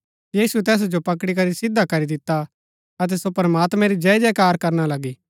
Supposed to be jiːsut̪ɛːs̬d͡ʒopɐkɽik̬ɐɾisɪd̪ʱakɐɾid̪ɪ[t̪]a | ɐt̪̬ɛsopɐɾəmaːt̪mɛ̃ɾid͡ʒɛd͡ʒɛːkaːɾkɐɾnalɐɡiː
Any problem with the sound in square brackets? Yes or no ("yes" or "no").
no